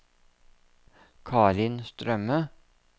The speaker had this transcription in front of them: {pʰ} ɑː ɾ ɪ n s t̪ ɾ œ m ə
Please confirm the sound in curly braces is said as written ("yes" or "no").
no